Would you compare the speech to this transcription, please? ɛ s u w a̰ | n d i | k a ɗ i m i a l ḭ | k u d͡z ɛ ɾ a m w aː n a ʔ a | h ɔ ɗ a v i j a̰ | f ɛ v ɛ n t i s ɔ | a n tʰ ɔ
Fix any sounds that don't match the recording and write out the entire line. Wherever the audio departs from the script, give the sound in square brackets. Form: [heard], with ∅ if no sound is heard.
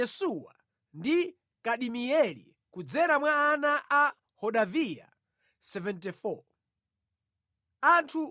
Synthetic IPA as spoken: ɛ s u w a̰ | n d i | k a ɗ i m i [ɛ] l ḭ | k u d͡z ɛ ɾ a m w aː n a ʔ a | h ɔ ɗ a v i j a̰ | [s] ɛ v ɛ n t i [f] ɔ | a n tʰ [u]

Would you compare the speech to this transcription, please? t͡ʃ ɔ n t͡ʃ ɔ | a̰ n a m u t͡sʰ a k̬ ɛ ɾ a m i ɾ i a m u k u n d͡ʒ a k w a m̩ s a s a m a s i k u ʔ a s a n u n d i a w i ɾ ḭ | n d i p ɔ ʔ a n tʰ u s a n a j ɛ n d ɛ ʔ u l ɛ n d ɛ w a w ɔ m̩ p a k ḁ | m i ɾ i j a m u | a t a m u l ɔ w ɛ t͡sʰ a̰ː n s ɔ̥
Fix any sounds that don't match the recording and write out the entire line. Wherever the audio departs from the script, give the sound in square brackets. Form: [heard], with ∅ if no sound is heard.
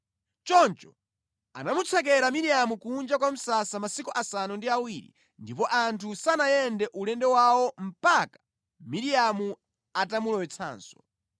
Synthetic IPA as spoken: t͡ʃ ɔ n t͡ʃ ɔ | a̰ n a m u t͡sʰ a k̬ ɛ ɾ a m i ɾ i a m u k u n d͡ʒ a k w a m̩ s a s a m a s i k u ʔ a s a n u n d i a w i ɾ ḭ | n d i p ɔ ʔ a n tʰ u s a n a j ɛ n d ɛ ʔ u l ɛ n d ɛ w a w ɔ m̩ p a k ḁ | m i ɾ i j a m u | a t a m u l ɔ w ɛ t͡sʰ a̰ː n s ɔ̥

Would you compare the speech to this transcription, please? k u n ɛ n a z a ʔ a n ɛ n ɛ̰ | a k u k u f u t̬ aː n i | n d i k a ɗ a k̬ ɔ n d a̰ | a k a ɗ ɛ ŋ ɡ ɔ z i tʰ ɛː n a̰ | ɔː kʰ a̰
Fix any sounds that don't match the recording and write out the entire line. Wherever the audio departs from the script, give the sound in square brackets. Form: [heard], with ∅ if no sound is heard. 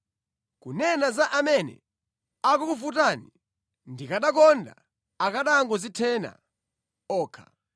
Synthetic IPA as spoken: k u n ɛ n a z a ʔ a [m] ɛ n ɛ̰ | a k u k u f u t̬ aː n i | n d i k a ɗ a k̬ ɔ n d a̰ | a k a ɗ [a] ŋ ɡ ɔ z i tʰ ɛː n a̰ | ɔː kʰ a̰

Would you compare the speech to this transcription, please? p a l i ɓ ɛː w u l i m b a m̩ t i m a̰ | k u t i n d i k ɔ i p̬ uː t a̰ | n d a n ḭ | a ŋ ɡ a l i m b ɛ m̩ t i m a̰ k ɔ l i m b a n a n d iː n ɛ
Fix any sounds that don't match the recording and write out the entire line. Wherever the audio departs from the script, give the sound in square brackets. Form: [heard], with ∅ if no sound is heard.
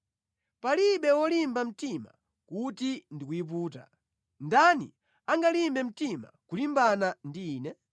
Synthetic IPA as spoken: p a l i ɓ [ɛ] w [ɔ] l i m b a m̩ t i m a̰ | k u t i n d i k [u] i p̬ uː t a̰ | n d a n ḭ | a ŋ ɡ a l i m b ɛ m̩ t i m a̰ k [u] l i m b a n a n d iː n ɛ

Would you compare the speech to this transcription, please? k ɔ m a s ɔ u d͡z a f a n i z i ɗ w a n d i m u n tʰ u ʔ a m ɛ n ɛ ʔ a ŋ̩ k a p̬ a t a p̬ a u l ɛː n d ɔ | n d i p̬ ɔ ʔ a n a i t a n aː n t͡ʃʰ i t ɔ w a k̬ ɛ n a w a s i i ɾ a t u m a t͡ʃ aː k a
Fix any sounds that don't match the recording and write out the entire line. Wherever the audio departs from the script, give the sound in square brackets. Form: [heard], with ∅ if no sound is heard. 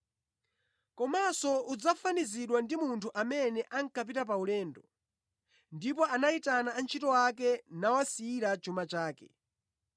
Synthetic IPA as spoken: k ɔ m a s ɔ u d͡z a f a n i z i ɗ w a n d i m u n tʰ u ʔ a m ɛ n ɛ ʔ a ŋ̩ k a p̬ [i] t a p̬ a u l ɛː n d ɔ | n d i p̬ ɔ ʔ a n a i t a n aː n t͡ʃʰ i t ɔ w a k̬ ɛ n a w a s i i ɾ a [t͡ʃ] u m a t͡ʃ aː k [ɛ]

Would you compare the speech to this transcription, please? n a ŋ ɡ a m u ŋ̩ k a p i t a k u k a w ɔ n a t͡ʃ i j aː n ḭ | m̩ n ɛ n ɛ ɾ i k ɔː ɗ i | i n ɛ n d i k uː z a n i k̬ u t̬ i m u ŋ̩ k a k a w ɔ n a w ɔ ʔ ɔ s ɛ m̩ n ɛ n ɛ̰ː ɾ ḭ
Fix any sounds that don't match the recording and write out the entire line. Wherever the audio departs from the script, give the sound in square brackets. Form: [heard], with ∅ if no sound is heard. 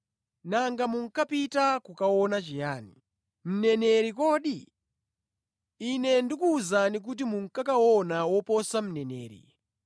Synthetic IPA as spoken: n a ŋ ɡ a m u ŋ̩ k a p i t a k u k a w ɔ n a t͡ʃ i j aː n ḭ | m̩ n ɛ n ɛ ɾ i k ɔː ɗ i | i n ɛ n d i k uː z a n i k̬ u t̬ i m u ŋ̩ k a k a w ɔ n a w ɔ [p] ɔ s [a] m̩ n ɛ n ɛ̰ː ɾ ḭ

